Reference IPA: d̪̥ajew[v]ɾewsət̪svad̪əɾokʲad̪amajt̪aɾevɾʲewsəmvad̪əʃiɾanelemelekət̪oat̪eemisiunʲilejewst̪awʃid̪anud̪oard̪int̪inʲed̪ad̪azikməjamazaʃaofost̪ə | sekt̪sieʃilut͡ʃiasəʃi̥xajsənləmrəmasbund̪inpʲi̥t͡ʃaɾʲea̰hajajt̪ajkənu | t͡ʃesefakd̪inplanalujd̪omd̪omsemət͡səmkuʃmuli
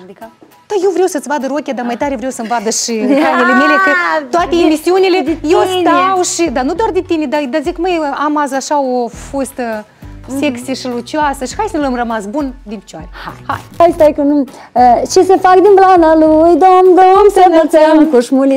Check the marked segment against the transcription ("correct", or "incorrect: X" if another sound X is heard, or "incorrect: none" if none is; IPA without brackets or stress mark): correct